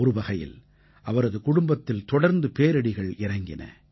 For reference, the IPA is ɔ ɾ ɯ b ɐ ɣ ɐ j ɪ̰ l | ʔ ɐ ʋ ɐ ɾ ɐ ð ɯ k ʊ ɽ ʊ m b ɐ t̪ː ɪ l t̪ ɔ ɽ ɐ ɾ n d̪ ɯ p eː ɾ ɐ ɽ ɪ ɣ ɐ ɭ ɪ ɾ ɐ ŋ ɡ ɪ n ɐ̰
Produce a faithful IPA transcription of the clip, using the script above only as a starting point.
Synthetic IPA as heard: ɔ ɾ ɯ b ɐ ɣ ɐ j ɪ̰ l | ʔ ɐ ʋ ɐ ɾ ɐ ð ɯ k ʊ ɽ ʊ m b ɐ t̪ː ɪ l t̪ ɔ ɽ ɐ ɾ n d̪ ɯ p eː ɾ ɐ ɽ ɪ ɣ ɐ ɭ ɪ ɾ ɐ ŋ ɡ ɪ n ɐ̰